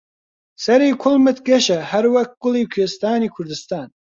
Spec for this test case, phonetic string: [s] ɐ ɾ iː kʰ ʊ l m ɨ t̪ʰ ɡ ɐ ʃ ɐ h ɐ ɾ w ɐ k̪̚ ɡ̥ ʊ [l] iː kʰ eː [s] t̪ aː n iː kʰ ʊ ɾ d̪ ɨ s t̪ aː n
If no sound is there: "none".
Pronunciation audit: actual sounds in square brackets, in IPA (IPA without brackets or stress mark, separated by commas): s, l, s